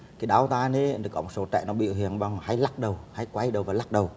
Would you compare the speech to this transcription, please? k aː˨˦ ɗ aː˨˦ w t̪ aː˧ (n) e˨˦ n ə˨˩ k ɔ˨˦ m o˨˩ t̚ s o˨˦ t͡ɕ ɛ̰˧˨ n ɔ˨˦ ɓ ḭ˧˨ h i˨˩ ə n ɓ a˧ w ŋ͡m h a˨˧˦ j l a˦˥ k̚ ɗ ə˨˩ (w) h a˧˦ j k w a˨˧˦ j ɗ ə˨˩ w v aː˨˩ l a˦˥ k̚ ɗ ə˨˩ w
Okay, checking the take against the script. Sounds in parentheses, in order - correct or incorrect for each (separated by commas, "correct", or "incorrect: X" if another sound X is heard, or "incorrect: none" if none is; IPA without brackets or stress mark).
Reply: correct, correct